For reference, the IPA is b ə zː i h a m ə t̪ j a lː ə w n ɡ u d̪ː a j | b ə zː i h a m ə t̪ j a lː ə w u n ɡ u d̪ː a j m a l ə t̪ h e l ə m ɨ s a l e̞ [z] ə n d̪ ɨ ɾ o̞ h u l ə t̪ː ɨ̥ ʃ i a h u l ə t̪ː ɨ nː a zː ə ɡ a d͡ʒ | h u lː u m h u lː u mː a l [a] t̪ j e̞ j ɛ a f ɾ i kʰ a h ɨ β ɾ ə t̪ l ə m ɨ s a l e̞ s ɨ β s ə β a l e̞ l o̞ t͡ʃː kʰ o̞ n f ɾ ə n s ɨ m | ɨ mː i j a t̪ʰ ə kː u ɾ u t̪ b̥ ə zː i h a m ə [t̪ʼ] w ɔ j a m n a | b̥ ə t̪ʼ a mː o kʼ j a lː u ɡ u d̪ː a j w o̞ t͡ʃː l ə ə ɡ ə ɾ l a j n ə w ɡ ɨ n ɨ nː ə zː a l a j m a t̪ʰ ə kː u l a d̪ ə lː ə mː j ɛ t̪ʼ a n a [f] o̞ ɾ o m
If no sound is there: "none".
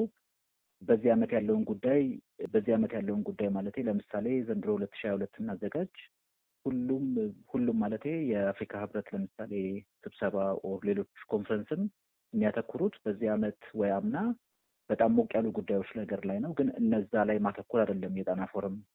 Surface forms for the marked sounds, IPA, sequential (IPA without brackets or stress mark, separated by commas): z, ə, t̪, f